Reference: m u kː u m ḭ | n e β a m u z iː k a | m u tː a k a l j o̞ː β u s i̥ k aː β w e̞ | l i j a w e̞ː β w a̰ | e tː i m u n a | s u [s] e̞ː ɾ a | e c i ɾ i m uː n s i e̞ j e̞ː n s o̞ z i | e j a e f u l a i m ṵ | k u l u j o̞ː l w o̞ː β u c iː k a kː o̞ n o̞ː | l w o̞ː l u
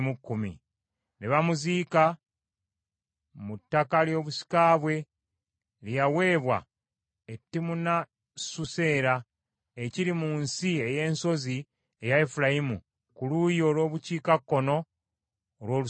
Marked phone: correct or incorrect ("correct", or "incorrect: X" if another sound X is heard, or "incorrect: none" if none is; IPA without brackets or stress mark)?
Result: correct